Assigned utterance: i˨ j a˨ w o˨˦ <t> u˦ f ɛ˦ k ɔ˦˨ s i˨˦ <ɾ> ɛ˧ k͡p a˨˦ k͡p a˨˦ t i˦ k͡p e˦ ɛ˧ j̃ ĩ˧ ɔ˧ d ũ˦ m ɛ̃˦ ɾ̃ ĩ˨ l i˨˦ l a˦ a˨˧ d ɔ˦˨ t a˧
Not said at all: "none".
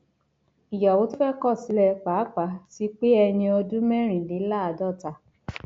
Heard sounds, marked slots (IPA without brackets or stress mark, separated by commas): t, l